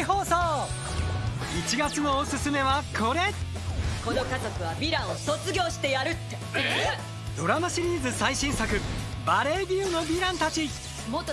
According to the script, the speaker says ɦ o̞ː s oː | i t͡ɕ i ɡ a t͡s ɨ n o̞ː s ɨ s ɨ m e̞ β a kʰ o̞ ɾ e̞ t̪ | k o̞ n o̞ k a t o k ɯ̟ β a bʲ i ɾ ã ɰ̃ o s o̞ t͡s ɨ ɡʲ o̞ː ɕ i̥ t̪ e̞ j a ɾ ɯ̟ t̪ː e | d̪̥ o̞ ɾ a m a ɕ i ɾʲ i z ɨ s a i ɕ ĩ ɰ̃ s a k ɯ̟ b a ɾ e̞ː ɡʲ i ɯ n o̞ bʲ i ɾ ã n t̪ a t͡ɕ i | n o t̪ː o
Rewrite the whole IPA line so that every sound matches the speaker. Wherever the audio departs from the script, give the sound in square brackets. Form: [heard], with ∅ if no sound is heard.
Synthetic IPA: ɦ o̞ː s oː | i t͡ɕ i ɡ a t͡s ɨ n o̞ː s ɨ s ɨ m e̞ β a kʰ o̞ ɾ e̞ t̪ | k o̞ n o̞ k a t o k ɯ̟ β a bʲ i ɾ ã ɰ̃ o s o̞ t͡s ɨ ɡʲ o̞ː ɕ i̥ t̪ e̞ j a ɾ ɯ̟ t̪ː e | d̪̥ o̞ ɾ a m a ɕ i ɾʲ [iː] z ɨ s a i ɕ ĩ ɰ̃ s a k ɯ̟ b a ɾ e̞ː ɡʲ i ɯ n o̞ bʲ i ɾ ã n t̪ a t͡ɕ i | [m] o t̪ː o